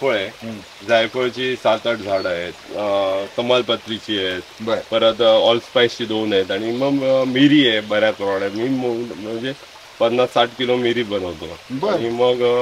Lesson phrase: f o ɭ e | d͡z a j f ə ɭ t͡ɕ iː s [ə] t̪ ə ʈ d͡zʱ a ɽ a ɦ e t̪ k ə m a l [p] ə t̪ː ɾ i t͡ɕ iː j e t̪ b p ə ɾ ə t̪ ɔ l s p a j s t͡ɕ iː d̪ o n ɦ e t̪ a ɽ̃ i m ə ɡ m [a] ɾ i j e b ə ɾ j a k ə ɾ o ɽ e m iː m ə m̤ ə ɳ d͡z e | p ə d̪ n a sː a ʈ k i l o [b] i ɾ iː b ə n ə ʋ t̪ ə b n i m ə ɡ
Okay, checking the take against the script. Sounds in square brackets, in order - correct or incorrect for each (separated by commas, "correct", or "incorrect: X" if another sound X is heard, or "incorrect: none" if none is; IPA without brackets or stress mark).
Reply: incorrect: a, correct, incorrect: i, incorrect: m